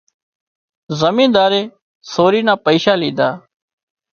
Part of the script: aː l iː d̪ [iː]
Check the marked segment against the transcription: incorrect: aː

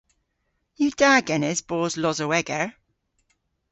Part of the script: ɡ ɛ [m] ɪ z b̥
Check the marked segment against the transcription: incorrect: n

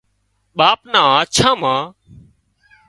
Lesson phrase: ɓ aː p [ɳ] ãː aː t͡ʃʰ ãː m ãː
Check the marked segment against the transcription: incorrect: n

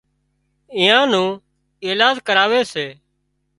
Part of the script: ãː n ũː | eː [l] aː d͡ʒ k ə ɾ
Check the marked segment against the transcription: correct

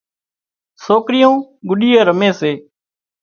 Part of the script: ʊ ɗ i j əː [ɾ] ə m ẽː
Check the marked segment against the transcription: correct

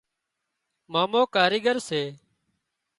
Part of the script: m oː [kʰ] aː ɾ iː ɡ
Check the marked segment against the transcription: incorrect: k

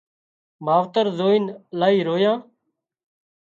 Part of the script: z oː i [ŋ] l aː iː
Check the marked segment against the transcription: incorrect: n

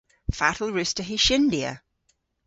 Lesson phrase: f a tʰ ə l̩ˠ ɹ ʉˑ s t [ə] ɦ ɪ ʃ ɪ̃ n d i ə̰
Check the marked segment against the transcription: correct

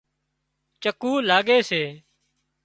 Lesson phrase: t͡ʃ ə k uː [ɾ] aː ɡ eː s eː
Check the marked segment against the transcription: incorrect: l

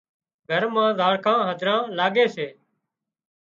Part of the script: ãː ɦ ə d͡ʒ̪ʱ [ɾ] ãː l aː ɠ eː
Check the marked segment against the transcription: correct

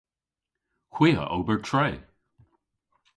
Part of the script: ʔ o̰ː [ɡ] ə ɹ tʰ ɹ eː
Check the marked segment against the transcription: incorrect: b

